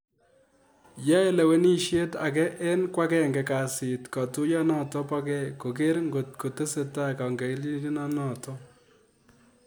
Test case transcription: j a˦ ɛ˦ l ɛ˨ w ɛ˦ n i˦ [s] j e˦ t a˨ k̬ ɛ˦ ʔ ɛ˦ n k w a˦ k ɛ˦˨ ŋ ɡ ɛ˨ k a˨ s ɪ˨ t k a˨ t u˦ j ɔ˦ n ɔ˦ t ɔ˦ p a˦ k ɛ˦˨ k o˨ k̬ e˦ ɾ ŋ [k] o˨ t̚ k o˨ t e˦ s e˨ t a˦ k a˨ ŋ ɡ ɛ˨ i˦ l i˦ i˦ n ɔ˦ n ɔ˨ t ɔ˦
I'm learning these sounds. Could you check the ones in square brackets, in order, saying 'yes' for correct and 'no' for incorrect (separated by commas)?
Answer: no, no